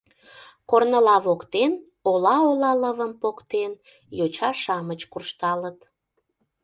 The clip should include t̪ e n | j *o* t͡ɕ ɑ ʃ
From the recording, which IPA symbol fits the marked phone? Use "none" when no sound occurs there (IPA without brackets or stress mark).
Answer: o